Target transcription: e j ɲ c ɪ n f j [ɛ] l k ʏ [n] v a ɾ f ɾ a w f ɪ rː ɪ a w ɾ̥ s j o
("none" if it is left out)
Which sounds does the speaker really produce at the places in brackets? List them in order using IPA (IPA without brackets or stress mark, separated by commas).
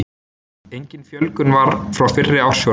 œ, n